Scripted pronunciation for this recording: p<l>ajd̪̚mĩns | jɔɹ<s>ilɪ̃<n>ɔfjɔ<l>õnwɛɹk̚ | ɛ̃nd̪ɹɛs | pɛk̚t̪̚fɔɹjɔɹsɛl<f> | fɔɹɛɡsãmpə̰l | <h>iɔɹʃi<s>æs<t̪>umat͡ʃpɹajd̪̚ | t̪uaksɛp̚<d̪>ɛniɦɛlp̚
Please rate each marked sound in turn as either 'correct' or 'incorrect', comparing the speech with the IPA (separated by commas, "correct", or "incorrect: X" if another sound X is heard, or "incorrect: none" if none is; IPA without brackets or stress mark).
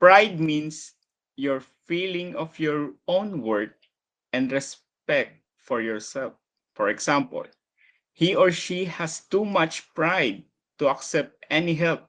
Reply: incorrect: ɹ, incorrect: f, incorrect: ŋ, incorrect: ɹ, correct, correct, incorrect: h, correct, incorrect: t̪